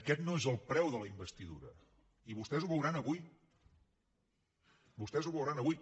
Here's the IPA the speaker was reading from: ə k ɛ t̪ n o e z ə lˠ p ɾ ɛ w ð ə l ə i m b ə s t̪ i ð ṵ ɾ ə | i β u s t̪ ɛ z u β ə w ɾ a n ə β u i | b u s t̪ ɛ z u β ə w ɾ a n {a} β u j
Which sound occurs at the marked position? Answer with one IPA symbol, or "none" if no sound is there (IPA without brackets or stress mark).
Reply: ə